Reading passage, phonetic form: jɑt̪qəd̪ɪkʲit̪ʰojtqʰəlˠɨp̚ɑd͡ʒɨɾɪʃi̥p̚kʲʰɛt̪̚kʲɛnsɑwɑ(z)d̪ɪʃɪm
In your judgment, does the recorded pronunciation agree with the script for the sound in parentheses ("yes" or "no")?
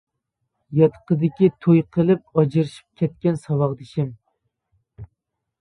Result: no